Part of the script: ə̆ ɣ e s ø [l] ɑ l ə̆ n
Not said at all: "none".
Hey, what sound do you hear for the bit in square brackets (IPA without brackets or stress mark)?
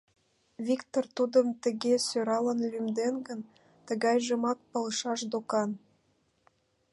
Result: ɾ